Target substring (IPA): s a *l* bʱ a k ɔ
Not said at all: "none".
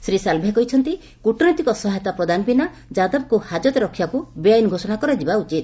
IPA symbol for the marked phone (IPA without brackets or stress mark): l